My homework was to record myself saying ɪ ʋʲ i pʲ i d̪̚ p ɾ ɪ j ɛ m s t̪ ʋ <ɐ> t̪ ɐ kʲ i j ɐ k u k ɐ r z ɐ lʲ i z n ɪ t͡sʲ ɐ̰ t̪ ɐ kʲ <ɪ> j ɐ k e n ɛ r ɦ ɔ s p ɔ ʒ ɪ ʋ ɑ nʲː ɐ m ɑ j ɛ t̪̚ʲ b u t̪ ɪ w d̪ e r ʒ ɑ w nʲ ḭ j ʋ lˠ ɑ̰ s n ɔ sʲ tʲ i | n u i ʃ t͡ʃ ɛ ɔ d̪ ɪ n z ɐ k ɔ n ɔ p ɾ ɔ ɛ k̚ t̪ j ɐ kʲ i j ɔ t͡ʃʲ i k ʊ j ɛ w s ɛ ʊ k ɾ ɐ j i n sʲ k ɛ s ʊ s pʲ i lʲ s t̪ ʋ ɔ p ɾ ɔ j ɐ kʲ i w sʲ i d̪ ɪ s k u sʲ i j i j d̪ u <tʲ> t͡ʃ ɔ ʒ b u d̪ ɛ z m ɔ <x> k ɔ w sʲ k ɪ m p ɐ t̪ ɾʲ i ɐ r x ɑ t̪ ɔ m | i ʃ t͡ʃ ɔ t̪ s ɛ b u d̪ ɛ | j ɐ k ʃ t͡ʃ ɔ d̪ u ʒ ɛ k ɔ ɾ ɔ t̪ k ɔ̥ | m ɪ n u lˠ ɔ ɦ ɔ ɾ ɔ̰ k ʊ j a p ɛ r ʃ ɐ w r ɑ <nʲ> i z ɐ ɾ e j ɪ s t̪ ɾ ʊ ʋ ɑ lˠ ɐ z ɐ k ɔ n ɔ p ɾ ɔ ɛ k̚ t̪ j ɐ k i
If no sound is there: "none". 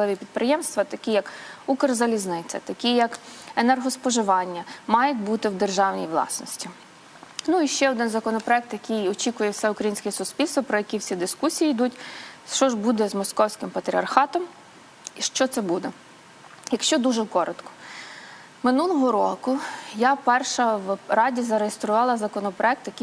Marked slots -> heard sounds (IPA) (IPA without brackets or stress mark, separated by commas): ɐ, i, tʲ, s, dʲ